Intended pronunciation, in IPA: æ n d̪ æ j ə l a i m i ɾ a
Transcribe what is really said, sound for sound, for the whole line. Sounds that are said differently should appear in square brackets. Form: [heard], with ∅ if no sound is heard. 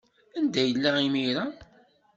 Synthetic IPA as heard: æ n d̪ æ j ə [lː] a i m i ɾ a